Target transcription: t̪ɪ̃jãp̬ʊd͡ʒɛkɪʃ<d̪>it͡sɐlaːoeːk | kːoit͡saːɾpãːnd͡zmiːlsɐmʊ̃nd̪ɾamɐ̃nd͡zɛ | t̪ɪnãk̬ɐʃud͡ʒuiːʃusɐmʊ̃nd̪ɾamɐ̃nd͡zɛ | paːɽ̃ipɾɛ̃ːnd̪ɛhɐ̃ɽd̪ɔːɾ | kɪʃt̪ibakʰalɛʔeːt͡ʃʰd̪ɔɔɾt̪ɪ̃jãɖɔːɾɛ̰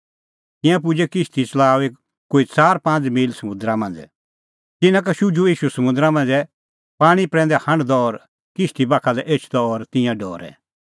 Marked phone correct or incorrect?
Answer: incorrect: t̪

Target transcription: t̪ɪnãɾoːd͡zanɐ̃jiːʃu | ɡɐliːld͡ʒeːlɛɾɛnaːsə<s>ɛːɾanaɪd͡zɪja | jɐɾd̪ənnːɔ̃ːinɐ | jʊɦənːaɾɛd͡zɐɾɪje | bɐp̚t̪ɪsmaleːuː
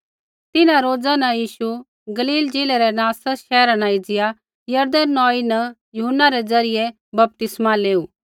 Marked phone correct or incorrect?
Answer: incorrect: ʃ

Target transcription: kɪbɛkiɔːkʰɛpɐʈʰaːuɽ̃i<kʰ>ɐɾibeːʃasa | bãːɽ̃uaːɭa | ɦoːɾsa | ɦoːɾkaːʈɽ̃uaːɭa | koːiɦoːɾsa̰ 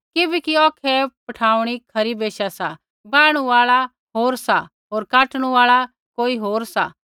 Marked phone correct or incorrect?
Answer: correct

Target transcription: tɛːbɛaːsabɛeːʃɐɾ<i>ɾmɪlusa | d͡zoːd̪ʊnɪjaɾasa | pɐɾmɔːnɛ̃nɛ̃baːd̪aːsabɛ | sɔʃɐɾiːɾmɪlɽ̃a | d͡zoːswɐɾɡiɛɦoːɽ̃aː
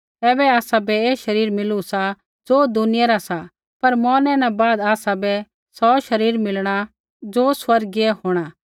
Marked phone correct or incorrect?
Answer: incorrect: iː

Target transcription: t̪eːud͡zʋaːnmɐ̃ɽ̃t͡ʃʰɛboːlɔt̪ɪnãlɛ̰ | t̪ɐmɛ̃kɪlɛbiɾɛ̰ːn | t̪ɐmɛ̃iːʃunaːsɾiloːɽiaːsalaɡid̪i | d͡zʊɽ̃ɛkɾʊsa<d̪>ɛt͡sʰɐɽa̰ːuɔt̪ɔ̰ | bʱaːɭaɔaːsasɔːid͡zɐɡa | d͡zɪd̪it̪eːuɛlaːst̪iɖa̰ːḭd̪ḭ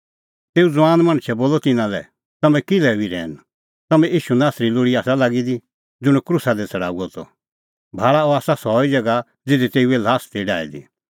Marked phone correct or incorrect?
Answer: correct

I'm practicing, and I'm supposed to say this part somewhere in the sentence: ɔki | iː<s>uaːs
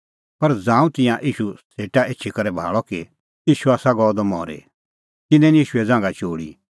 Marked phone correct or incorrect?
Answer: incorrect: ʃ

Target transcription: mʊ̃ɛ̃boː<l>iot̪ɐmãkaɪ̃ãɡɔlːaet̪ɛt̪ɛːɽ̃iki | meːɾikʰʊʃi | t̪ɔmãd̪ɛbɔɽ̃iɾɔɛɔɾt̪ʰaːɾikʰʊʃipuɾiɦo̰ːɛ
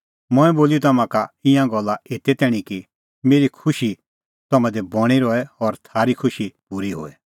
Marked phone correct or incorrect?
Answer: correct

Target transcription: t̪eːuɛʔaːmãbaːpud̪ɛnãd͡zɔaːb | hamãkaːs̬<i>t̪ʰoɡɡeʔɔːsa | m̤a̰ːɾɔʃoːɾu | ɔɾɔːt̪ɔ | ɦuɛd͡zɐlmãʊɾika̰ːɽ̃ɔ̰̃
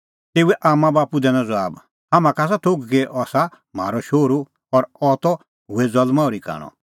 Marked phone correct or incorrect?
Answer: incorrect: a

